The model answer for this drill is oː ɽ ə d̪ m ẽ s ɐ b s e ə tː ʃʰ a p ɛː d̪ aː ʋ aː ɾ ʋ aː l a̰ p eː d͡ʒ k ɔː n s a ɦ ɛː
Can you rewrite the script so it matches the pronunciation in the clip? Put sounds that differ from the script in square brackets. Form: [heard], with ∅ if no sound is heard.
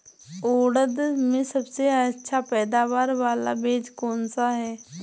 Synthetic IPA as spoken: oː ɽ ə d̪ m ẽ s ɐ b s e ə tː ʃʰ a p ɛː d̪ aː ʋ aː ɾ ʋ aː l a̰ [b] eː d͡ʒ k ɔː n s a ɦ ɛː